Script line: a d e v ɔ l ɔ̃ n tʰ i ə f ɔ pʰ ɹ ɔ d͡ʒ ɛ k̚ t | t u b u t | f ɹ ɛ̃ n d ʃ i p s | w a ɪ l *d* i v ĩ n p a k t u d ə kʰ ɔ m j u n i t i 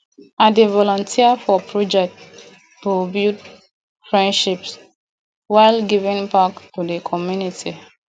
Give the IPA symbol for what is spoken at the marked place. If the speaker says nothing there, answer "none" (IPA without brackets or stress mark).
ɡ